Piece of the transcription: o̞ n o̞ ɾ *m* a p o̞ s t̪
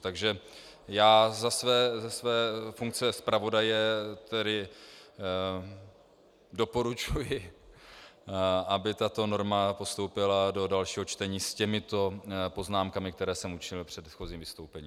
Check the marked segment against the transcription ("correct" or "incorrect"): correct